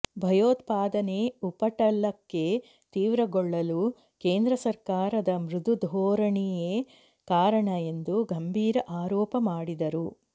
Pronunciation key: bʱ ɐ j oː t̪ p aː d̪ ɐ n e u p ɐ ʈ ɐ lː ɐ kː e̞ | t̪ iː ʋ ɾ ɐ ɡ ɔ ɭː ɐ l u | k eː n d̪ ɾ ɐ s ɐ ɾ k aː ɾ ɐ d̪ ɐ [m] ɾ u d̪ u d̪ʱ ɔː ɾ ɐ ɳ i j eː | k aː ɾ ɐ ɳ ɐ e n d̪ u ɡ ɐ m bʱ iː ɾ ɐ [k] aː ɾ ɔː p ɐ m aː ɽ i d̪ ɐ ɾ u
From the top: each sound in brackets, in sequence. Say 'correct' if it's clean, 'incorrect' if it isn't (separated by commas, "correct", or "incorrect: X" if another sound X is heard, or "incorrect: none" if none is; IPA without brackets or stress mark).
correct, incorrect: ʔ